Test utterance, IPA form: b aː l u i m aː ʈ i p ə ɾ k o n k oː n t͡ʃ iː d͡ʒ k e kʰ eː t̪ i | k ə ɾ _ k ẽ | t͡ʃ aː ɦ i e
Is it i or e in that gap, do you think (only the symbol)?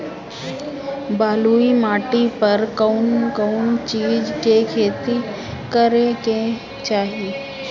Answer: e